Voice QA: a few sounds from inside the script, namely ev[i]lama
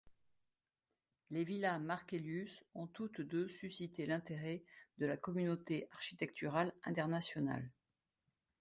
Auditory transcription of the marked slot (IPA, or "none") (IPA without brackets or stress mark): i